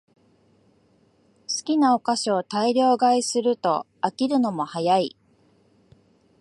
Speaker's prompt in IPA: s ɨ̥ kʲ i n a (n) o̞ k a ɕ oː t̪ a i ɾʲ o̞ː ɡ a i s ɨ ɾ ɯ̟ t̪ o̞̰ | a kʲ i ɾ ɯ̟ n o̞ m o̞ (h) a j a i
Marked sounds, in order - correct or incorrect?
incorrect, correct

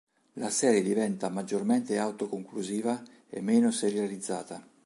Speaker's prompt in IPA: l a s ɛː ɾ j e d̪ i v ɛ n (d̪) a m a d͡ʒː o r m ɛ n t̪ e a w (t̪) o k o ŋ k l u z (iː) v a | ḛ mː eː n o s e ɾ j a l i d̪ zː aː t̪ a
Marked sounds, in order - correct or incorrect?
incorrect, correct, correct

